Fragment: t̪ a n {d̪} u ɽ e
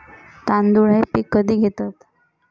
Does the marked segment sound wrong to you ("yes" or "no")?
no